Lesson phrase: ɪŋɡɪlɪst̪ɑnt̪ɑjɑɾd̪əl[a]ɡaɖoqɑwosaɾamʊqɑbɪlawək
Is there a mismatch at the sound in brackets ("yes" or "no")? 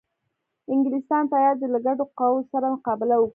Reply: no